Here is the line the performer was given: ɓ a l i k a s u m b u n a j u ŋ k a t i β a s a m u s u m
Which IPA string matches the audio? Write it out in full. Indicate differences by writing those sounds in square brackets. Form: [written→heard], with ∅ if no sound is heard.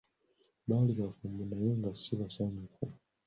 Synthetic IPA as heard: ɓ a l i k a [s→f] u m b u n a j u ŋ [k→ɡ] a [t→s] i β a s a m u [s→f] u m